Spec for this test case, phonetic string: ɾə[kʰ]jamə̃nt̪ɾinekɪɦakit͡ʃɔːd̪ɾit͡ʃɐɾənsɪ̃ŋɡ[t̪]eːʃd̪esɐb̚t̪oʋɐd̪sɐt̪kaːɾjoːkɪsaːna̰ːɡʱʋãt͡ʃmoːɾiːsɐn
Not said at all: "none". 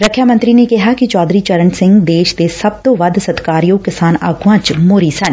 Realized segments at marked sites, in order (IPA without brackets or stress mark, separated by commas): kʰ, d̪